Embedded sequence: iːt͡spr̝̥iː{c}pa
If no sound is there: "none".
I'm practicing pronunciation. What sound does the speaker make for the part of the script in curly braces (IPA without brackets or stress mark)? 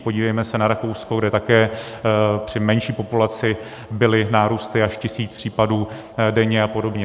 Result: none